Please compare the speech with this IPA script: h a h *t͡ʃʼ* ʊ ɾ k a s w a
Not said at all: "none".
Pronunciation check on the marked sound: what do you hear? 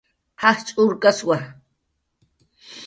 t͡ʃʼ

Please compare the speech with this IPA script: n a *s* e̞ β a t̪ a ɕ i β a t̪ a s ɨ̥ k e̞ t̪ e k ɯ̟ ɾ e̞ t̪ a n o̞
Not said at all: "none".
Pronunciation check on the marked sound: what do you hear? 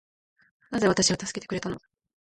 z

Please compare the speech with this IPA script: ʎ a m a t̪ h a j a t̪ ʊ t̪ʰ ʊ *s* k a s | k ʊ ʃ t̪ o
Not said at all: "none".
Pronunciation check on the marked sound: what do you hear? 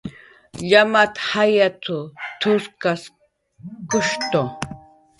s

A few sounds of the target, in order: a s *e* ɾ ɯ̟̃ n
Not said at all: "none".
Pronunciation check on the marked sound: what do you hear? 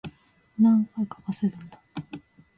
e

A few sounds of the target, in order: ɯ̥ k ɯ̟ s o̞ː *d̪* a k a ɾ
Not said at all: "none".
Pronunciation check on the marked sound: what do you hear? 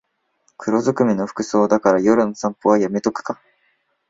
d̪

